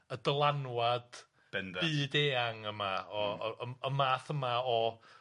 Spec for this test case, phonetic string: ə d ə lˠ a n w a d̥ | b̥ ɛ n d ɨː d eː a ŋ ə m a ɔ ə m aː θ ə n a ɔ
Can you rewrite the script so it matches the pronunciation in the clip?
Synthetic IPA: ə d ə lˠ a n w a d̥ | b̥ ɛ n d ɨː d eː a ŋ ə m a ɔ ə m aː θ ə m a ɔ